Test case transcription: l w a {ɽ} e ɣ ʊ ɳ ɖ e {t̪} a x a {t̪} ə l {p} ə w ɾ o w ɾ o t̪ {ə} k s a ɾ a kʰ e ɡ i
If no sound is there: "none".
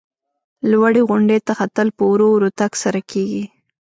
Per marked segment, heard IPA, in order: ɽ, t̪, t̪, p, a

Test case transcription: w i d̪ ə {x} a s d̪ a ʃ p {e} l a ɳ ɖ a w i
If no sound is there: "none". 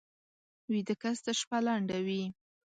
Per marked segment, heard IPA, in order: k, a

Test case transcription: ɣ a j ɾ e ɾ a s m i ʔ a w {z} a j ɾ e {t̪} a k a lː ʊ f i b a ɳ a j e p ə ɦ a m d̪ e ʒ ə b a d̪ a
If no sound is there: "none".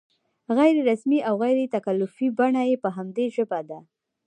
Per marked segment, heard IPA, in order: ɣ, t̪

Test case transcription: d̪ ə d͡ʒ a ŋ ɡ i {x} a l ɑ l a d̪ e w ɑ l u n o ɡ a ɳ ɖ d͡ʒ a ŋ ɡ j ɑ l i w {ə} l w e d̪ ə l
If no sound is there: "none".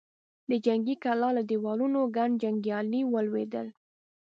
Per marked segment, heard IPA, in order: k, ə

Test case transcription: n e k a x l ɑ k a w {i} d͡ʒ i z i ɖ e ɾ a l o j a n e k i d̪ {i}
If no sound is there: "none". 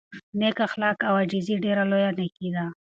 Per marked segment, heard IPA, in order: a, a

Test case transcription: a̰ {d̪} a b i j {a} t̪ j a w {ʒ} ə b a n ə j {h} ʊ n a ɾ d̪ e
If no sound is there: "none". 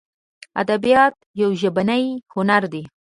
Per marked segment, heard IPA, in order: d̪, ɑ, ʒ, h

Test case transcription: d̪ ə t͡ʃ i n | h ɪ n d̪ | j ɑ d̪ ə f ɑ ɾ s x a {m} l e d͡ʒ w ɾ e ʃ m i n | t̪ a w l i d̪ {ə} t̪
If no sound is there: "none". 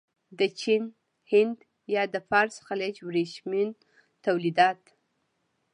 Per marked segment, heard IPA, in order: none, ɑ

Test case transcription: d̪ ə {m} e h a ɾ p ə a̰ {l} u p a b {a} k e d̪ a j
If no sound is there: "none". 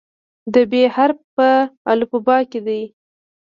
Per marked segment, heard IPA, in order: b, l, ɑ

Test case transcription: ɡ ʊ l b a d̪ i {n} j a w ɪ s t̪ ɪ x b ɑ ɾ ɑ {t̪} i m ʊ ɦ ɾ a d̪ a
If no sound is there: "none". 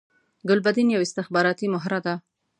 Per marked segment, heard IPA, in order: n, t̪

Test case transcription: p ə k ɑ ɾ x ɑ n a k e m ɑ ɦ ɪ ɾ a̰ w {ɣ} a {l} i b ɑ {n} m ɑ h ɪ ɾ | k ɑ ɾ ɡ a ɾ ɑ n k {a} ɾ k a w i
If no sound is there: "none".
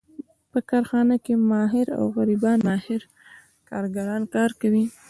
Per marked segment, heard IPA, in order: ɣ, ɾ, n, ɑ

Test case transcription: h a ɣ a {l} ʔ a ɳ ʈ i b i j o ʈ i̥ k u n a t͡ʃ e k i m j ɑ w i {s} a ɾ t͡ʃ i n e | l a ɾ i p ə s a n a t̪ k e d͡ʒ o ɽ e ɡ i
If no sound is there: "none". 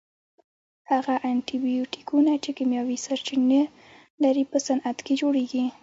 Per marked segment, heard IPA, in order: none, s

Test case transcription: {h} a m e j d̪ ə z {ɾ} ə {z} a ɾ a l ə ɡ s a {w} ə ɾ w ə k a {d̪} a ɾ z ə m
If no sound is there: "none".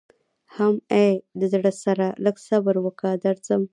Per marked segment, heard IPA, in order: h, ɽ, s, b, d̪

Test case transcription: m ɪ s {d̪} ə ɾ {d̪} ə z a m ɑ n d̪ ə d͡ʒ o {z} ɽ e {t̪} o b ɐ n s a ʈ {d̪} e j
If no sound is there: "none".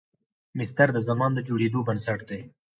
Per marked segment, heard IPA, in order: t̪, d̪, none, d̪, d̪

